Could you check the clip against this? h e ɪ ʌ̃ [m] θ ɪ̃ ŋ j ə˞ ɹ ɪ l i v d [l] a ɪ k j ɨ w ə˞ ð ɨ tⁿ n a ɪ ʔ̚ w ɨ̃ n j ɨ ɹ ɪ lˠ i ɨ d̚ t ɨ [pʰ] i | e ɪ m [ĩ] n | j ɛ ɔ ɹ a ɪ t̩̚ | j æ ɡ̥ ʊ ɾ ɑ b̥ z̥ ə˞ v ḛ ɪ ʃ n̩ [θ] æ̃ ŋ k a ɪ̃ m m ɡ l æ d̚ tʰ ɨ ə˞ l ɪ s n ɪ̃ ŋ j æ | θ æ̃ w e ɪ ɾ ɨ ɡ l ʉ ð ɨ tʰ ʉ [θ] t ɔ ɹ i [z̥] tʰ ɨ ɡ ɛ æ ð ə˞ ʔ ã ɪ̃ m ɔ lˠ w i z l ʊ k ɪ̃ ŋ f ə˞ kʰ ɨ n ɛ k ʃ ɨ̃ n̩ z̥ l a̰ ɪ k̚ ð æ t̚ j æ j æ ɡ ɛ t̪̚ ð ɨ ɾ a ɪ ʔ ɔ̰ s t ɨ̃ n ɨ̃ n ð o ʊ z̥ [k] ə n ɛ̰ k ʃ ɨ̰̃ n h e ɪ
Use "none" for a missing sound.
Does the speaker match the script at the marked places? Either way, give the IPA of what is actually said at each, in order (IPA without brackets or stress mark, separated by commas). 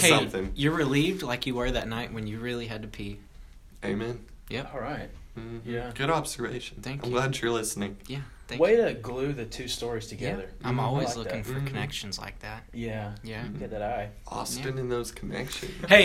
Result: m, l, pʰ, ɛ̃, θ, s, z̥, kʰ